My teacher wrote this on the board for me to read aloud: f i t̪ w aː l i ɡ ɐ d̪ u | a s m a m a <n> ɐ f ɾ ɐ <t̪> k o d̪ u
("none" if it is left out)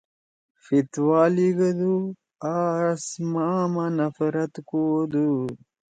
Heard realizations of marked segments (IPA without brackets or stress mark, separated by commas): n, t̪